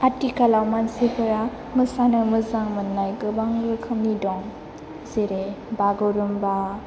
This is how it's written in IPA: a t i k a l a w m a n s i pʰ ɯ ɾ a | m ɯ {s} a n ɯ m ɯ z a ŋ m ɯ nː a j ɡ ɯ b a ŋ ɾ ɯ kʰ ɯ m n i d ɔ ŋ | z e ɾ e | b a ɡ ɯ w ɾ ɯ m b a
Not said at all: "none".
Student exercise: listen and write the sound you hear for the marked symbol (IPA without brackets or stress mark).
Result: s